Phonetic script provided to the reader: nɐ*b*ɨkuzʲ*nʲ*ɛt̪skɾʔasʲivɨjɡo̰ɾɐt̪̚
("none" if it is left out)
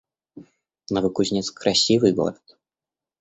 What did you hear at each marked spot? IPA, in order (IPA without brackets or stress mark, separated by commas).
v, nʲ